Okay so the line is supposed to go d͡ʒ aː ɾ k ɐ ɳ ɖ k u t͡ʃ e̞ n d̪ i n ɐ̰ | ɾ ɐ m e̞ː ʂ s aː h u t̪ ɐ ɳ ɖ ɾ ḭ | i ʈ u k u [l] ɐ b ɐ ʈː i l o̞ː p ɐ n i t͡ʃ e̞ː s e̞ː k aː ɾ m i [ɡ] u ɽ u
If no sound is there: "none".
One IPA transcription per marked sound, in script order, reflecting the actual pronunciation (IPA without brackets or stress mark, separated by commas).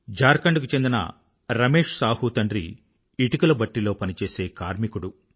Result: l, k